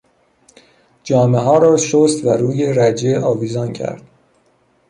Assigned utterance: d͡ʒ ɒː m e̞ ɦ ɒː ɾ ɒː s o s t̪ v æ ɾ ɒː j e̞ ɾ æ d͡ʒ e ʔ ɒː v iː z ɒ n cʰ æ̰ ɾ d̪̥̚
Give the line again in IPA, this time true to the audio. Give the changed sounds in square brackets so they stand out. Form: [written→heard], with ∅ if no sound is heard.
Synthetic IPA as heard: d͡ʒ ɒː m e̞ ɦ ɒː ɾ ɒː [s→ʃ] o s t̪ v æ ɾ [ɒː→uː] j e̞ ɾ æ d͡ʒ e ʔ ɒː v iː z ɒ n cʰ æ̰ ɾ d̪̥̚

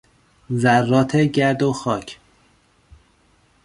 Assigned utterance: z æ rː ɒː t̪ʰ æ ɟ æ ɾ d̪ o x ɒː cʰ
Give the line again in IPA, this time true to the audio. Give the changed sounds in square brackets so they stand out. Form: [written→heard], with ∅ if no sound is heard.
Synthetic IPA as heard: z æ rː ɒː t̪ʰ [æ→e] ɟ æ ɾ d̪ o x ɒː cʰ

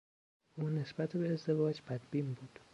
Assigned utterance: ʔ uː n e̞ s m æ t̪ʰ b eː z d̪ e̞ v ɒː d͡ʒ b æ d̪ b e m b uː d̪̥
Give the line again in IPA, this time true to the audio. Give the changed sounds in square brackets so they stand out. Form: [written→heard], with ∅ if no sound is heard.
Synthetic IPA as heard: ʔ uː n e̞ s [m→b] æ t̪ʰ b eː z d̪ e̞ v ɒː d͡ʒ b æ d̪ b [e→i] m b uː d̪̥

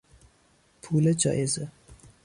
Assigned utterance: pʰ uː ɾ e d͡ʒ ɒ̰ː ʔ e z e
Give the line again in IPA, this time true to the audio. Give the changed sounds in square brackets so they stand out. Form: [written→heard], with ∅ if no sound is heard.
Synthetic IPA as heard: pʰ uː [ɾ→l] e d͡ʒ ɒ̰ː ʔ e z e

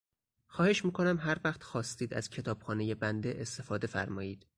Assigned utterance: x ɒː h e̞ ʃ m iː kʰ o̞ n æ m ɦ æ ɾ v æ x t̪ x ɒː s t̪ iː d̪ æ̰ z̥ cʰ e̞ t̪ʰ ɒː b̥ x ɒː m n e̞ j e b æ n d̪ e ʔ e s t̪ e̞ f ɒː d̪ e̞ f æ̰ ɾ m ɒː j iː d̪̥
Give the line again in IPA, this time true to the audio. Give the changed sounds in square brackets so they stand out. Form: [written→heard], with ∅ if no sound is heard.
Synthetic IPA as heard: x ɒː h e̞ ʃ m iː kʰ o̞ n æ m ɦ æ ɾ v æ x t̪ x ɒː s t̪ iː d̪ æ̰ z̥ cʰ e̞ t̪ʰ ɒː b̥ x ɒː [m→∅] n e̞ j e b æ n d̪ e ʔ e s t̪ e̞ f ɒː d̪ e̞ f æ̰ ɾ m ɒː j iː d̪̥

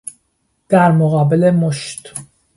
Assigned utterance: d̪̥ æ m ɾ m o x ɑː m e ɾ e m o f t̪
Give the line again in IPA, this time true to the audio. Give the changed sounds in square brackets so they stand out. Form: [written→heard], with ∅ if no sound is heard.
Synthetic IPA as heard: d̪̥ æ [m→∅] ɾ m o [x→ɣ] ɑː [m→b] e [ɾ→l] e m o [f→ʃ] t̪

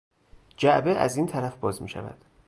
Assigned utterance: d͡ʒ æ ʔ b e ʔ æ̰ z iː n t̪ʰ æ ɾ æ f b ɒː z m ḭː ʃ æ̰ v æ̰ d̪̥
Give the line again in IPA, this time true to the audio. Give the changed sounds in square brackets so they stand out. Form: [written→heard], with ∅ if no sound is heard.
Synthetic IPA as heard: d͡ʒ æ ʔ b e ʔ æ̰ z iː n t̪ʰ æ ɾ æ f b ɒː z m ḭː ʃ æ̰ v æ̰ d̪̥

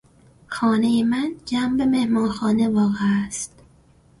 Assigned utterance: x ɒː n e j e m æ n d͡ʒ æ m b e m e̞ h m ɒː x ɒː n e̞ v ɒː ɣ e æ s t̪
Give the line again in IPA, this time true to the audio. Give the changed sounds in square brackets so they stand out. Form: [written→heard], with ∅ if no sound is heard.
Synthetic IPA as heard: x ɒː n e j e m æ n d͡ʒ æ m b e m e̞ h m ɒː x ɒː n e̞ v ɒː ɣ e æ s t̪

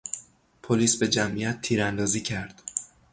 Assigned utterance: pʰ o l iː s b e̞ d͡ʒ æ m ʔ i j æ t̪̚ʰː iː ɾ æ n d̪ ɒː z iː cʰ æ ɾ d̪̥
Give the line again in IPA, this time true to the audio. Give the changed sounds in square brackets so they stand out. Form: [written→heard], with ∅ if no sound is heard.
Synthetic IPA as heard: pʰ o l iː s b e̞ d͡ʒ æ m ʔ i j æ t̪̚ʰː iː ɾ æ n d̪ ɒː z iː cʰ æ ɾ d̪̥

